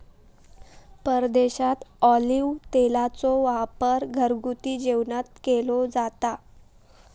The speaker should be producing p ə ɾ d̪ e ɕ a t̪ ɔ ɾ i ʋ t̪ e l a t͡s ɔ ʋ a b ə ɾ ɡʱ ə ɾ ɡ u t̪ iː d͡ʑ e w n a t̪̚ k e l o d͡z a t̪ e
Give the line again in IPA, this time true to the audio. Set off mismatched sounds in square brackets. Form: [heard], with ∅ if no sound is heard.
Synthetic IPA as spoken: p ə ɾ d̪ e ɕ a t̪ ɔ [l] i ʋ t̪ e l a t͡s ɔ ʋ a [p] ə ɾ ɡʱ ə ɾ ɡ u t̪ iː d͡ʑ e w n a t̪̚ k e l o d͡z a t̪ [a]

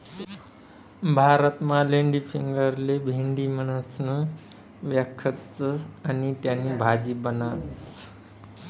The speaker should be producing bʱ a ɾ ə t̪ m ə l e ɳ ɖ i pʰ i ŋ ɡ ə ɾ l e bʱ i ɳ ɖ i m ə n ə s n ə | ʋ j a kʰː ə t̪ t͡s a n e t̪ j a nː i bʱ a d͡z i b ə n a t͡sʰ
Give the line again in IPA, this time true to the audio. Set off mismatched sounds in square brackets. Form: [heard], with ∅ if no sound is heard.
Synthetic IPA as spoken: bʱ a ɾ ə t̪ m [a] l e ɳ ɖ i pʰ i ŋ ɡ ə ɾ l e bʱ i ɳ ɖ i m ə n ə s n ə | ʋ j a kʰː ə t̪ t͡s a n [i] t̪ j a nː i bʱ a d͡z i b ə n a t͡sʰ

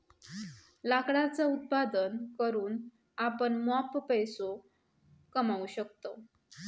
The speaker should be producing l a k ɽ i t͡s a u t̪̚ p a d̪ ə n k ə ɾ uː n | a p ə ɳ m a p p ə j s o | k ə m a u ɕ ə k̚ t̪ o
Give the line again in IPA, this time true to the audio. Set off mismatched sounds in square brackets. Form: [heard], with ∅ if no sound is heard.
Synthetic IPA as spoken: l a k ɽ [a] t͡s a u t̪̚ p a d̪ ə n k ə ɾ uː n | a p ə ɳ m a p p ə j s o | k ə m a u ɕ ə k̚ t̪ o

